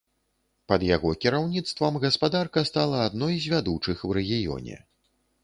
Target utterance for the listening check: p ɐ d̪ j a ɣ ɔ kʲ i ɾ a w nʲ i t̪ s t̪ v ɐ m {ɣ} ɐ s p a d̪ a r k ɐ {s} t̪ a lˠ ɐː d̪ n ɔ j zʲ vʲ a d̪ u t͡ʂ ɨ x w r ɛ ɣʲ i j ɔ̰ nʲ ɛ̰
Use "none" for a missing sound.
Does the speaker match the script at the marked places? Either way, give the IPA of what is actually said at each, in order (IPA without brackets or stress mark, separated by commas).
ɣ, s